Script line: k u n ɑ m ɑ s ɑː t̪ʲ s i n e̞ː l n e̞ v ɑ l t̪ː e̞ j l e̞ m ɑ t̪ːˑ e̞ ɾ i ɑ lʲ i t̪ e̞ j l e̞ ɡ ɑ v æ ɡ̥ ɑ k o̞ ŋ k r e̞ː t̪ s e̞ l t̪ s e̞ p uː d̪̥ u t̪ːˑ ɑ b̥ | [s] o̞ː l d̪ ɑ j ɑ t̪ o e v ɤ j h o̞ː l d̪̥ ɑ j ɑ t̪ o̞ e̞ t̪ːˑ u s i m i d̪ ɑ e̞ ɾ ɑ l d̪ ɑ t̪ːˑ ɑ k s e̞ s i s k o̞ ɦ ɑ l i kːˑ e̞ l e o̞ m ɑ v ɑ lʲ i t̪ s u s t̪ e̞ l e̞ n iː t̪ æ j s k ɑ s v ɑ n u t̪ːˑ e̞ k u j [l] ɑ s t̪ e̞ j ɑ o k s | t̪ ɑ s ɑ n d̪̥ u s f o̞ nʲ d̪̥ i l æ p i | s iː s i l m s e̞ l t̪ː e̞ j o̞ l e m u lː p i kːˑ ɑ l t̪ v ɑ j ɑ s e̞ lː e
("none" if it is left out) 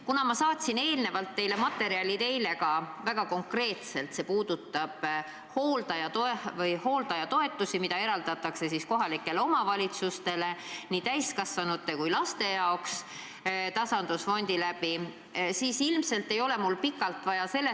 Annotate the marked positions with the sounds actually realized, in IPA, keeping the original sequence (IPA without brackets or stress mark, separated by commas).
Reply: h, l